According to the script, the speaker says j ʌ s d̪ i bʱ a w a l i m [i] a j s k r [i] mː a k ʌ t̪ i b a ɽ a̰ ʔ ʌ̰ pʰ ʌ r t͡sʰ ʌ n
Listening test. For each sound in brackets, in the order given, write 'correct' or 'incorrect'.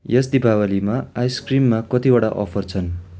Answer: incorrect: a, correct

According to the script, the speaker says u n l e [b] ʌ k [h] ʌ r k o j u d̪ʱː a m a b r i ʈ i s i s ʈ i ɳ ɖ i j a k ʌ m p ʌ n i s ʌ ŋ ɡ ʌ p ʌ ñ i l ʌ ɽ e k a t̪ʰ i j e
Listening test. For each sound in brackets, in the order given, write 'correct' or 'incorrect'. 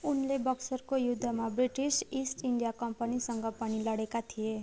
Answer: correct, incorrect: s

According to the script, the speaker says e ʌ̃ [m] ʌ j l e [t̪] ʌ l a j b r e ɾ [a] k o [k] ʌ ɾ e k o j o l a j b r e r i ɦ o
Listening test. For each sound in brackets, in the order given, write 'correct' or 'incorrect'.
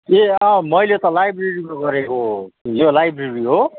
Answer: correct, correct, incorrect: i, incorrect: ɡ

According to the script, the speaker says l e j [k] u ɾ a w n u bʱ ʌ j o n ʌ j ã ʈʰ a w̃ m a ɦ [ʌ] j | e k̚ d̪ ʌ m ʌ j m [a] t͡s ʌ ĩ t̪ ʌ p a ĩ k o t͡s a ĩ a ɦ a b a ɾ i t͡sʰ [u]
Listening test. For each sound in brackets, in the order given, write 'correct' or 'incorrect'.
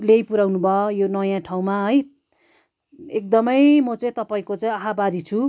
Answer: incorrect: p, correct, incorrect: ʌ, correct

